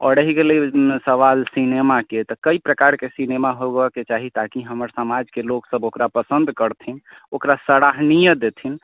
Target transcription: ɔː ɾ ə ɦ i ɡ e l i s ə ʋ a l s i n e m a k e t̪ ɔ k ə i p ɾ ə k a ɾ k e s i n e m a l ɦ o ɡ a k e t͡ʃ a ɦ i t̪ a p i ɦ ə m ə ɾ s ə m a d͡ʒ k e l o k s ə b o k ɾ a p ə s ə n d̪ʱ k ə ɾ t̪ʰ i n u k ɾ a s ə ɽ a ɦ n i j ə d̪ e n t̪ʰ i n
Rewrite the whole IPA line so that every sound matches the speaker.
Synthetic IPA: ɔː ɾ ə ɦ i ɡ e l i s ə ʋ a l s i n e m a k e t̪ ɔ k ə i p ɾ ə k a ɾ k e s i n e m a ɦ o ɡ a k e t͡ʃ a ɦ i t̪ a k i ɦ ə m ə ɾ s ə m a d͡ʒ k e l o k s ə b o k ɾ a p ə s ə n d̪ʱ k ə ɾ t̪ʰ i n o k ɾ a s ə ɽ a ɦ n i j ə d̪ e t̪ʰ i n